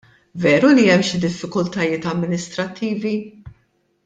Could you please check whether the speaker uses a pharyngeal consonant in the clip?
no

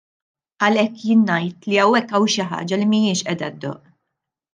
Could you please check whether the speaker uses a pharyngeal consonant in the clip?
yes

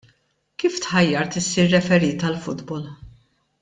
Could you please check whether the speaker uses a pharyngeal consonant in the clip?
yes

